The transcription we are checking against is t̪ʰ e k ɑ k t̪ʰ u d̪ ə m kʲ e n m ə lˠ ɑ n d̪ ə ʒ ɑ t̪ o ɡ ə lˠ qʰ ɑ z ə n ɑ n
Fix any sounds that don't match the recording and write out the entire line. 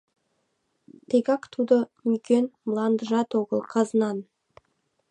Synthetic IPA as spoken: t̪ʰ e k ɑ k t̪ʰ u d̪ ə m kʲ e n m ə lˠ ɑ n d̪ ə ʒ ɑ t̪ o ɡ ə lˠ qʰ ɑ z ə n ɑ n